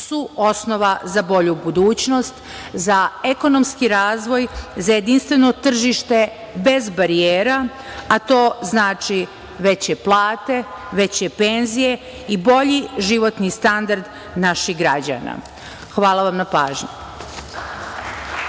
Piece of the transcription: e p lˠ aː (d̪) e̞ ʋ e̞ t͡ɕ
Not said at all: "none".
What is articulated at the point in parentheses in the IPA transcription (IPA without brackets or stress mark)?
t̪